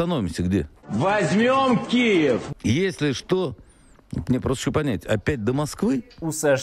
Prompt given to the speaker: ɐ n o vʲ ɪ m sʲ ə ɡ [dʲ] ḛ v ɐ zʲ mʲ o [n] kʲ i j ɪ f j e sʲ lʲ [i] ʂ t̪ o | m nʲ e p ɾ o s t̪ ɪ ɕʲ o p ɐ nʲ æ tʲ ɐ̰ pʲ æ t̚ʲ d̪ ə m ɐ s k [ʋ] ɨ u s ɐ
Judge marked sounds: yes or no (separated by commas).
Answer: yes, no, no, no